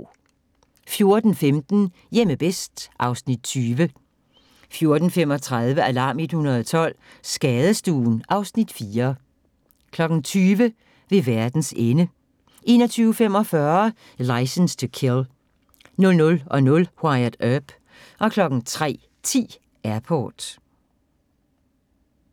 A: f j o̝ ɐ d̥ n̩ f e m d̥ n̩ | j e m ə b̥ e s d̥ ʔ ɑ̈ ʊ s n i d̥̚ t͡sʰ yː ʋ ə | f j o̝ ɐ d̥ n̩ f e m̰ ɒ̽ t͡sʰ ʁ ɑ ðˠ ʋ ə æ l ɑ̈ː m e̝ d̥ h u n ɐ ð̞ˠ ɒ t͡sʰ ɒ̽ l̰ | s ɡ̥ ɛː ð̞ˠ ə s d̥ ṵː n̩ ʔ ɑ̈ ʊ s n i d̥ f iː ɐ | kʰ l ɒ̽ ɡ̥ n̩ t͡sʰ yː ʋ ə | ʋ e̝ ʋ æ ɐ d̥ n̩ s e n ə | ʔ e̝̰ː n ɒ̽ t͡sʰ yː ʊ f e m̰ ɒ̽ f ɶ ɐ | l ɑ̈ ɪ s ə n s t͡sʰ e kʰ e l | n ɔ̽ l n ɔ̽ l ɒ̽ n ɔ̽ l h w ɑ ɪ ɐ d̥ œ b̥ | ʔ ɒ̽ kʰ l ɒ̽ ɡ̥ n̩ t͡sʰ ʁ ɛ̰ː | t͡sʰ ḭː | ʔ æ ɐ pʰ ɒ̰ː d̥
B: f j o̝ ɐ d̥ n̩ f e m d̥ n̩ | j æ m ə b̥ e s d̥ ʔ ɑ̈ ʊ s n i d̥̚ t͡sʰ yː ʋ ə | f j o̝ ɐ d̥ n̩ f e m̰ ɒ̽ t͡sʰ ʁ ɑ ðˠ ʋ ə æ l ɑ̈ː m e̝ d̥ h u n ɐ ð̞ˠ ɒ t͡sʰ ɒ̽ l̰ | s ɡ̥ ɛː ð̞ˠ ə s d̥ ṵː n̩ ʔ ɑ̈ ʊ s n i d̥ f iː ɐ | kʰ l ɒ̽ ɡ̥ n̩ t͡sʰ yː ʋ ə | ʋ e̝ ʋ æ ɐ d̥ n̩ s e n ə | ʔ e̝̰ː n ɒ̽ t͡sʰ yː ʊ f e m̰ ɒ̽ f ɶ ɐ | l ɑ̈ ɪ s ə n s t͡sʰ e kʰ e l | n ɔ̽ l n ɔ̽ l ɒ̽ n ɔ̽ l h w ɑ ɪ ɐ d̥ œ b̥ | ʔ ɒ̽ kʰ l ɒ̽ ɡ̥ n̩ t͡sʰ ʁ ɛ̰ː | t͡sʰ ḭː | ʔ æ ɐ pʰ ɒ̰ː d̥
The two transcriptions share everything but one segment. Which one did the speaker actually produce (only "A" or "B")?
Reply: A